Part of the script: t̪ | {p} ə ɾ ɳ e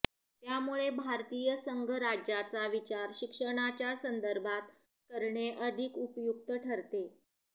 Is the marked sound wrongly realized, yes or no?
yes